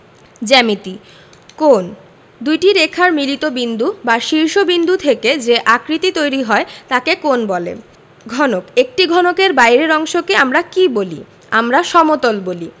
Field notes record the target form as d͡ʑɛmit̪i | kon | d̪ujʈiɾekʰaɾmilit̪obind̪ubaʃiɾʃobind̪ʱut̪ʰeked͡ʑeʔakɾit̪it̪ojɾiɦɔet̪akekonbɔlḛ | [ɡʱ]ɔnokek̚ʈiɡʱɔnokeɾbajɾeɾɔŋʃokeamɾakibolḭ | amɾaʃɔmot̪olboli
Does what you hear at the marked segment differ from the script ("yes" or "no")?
no